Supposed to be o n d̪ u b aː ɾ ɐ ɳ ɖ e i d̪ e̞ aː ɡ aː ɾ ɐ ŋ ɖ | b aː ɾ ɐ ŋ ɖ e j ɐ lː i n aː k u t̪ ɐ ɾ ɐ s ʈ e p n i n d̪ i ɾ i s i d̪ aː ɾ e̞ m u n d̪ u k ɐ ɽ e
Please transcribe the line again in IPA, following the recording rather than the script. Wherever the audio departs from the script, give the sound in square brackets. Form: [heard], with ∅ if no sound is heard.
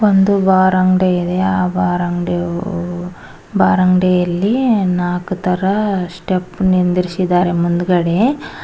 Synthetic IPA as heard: o n d̪ u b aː ɾ ɐ [ŋ] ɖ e i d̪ e̞ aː [b] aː ɾ ɐ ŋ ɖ | b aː ɾ ɐ ŋ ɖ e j ɐ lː i n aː k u t̪ ɐ ɾ ɐ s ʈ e p n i n d̪ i ɾ i s i d̪ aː ɾ e̞ m u n d̪ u [ɡ] ɐ ɽ e

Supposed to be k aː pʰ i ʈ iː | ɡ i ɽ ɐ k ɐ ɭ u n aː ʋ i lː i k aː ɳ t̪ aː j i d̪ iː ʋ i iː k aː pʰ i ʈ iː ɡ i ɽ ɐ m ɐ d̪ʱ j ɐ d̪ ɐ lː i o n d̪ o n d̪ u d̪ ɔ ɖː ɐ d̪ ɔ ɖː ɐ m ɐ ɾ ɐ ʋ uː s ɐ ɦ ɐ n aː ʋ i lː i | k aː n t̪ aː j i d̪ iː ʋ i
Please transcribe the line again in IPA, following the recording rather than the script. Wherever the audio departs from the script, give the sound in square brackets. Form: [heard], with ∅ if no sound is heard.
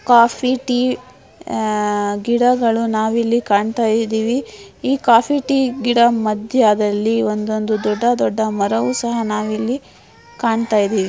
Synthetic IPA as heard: k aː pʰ i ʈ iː | ɡ i ɽ ɐ [ɡ] ɐ ɭ u n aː ʋ i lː i k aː ɳ t̪ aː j i d̪ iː ʋ i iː k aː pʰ i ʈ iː ɡ i ɽ ɐ m ɐ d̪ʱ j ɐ d̪ ɐ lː i o n d̪ o n d̪ u d̪ ɔ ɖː ɐ d̪ ɔ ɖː ɐ m ɐ ɾ ɐ ʋ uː s ɐ ɦ ɐ n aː ʋ i lː i | k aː [ɳ] t̪ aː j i d̪ iː ʋ i

